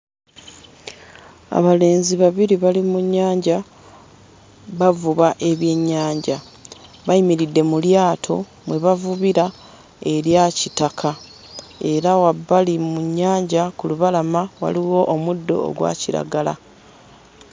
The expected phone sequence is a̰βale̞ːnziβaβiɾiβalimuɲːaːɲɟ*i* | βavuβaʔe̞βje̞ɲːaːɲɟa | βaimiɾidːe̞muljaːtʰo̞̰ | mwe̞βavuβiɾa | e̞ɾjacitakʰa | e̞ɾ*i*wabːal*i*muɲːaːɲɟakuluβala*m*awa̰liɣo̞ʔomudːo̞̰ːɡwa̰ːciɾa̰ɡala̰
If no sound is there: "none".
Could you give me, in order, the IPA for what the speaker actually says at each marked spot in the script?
a, a, i, m

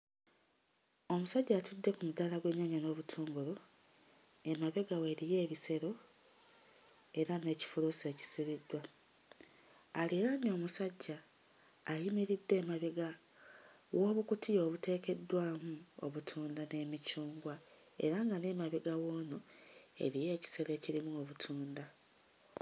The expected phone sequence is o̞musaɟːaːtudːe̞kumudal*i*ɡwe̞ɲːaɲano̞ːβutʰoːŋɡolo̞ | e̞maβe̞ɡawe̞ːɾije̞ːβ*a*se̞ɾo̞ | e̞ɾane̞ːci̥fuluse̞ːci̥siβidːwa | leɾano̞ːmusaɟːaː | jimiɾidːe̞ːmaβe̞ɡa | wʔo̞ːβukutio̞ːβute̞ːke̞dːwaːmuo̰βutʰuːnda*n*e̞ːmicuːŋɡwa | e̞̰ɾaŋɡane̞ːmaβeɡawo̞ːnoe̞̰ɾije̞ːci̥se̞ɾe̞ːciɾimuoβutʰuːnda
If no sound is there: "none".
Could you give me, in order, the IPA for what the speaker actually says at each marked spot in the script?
a, i, n

